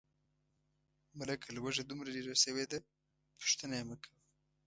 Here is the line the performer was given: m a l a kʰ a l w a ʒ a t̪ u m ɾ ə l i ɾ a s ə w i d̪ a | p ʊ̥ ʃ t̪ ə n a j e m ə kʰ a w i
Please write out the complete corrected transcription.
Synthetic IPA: m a l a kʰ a l w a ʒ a d̪ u m ɾ a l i ɾ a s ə w e d̪ a | p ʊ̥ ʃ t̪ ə n a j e m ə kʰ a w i